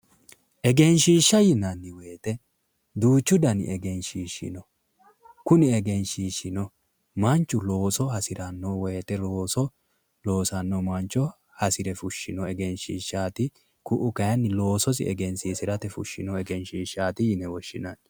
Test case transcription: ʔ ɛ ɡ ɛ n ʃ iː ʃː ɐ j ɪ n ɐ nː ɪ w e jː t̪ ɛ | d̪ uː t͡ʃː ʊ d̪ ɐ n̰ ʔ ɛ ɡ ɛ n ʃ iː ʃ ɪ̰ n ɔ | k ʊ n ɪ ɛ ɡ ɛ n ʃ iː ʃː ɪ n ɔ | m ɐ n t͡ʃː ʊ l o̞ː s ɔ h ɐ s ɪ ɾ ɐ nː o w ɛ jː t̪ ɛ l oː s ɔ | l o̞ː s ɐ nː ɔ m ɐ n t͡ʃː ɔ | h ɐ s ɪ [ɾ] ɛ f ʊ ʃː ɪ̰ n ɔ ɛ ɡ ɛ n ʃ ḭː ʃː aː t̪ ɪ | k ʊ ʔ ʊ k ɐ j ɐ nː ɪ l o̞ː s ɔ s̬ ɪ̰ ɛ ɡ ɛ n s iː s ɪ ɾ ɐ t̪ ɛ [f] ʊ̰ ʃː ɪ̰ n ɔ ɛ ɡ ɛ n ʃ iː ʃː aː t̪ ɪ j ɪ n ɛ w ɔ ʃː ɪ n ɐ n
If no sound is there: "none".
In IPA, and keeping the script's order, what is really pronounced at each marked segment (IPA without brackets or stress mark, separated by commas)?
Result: ɾ, f